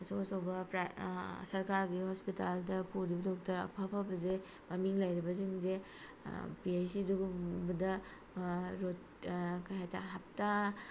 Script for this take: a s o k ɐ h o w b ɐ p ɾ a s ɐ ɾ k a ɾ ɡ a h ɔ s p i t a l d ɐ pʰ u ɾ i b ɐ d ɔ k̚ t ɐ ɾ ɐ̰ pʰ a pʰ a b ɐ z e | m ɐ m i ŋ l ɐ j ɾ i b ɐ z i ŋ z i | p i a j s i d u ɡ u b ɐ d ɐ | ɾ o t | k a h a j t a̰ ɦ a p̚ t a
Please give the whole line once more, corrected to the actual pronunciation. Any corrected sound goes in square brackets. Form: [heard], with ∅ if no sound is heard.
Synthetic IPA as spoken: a s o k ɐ [s] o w b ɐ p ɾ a s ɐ ɾ k a ɾ ɡ [i] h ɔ s p i t a l d ɐ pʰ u ɾ i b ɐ d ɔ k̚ t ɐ ɾ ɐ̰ pʰ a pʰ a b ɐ z e | m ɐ m i ŋ l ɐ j ɾ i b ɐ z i ŋ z [e] | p i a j s i d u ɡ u b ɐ d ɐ | ɾ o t | k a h a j t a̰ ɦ a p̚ t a